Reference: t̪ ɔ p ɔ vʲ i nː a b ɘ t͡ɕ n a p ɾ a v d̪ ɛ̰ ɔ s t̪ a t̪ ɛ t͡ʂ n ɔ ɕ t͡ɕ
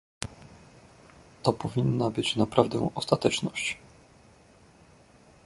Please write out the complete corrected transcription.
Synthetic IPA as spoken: t̪ ɔ p ɔ vʲ i nː a b ɘ t͡ɕ n a p ɾ a v d̪ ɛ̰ ɔ s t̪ a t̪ ɛ t͡ʂ n ɔ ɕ t͡ɕ